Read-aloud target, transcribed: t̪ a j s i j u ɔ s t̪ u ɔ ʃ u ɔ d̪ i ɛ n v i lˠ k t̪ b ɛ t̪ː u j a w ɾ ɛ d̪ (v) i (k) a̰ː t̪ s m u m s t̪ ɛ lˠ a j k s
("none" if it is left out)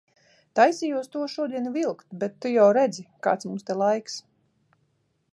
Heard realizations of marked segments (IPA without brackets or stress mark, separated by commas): z, k